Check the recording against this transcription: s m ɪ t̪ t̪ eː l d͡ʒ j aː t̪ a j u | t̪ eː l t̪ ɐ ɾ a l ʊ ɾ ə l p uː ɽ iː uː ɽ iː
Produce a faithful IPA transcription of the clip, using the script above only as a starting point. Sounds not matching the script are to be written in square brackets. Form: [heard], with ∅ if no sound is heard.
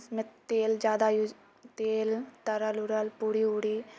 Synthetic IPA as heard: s m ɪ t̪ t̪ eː l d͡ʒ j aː [d̪] a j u | t̪ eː l t̪ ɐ ɾ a l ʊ ɾ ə l p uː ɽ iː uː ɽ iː